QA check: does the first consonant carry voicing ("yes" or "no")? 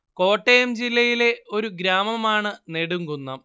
no